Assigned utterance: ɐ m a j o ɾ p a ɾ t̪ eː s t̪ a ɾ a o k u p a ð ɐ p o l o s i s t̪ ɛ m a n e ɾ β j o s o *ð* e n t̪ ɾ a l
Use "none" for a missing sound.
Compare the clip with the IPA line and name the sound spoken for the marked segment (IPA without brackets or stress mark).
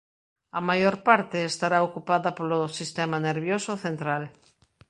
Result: θ